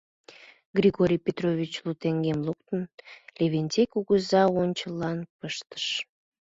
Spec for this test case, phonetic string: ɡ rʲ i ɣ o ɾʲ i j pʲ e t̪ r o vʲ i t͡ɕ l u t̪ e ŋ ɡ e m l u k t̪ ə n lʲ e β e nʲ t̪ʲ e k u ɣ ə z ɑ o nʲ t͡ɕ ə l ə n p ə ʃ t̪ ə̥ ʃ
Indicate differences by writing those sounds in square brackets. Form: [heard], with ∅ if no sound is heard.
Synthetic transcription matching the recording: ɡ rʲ i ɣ o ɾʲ i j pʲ e t̪ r o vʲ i t͡ɕ l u t̪ e ŋ ɡ e m l u k t̪ ə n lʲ e β e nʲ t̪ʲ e k u ɣ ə z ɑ o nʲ t͡ɕ ə l [ɑ] n p ə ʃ t̪ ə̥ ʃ